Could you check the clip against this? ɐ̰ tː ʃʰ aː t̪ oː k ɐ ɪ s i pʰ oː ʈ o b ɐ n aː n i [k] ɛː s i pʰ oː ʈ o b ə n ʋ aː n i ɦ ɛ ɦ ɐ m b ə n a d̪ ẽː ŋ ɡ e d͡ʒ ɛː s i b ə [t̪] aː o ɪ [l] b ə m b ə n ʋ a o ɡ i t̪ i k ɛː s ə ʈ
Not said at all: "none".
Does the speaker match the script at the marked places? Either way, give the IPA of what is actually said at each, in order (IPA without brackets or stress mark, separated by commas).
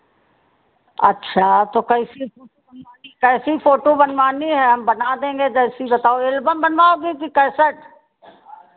k, t̪, l